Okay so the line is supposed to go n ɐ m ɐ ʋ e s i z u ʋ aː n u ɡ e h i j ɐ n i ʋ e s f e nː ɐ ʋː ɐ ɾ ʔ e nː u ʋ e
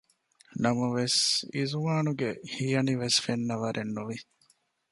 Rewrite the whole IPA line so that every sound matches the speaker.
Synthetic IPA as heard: n ɐ m ɐ ʋ e s i z u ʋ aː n u ɡ e h i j ɐ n i ʋ e s f e nː ɐ ʋ ɐ ɾ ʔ e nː u ʋ i